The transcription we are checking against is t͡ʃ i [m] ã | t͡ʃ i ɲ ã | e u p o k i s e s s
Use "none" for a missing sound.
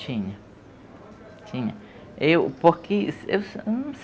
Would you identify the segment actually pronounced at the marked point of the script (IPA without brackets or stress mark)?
ɲ